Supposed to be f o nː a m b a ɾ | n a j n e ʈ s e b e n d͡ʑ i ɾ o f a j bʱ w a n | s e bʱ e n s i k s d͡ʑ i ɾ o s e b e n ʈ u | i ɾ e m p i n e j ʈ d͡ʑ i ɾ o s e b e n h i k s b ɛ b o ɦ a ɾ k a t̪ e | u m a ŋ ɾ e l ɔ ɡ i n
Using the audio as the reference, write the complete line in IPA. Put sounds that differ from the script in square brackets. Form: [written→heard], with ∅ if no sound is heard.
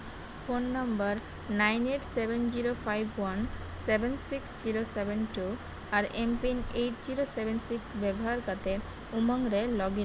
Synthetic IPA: f o nː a m b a ɾ | n a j n e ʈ s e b e n d͡ʑ i ɾ o f a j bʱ w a n | s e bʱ e n s i k s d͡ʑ i ɾ o s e b e n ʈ u | [i→a] ɾ e m p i n e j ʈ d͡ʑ i ɾ o s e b e n [h→s] i k s b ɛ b o ɦ a ɾ k a t̪ e | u m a ŋ ɾ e l ɔ ɡ i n